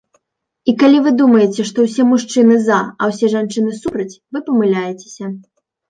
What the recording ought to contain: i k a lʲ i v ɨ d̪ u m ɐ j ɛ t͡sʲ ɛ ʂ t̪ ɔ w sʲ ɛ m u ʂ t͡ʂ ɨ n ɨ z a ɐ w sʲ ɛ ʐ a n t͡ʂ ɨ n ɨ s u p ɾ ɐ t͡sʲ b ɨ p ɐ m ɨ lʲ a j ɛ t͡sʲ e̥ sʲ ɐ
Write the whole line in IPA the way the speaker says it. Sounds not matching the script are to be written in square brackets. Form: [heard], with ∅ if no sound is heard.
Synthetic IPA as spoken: i k a lʲ i v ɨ d̪ u m ɐ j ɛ t͡sʲ ɛ ʂ t̪ ɔ w sʲ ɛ m u ʂ t͡ʂ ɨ n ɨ z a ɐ w sʲ ɛ ʐ a n t͡ʂ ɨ n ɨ s u p ɾ ɐ t͡sʲ [v] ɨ p ɐ m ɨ lʲ a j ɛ t͡sʲ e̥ sʲ ɐ